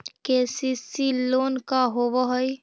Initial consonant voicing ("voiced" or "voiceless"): voiceless